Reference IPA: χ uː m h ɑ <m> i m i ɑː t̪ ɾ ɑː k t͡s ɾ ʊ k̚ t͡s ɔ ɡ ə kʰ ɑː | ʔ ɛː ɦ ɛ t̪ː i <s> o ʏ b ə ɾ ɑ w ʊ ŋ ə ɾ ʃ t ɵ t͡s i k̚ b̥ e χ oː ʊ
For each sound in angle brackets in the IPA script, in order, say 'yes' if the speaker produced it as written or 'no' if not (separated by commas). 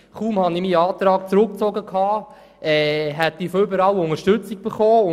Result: no, no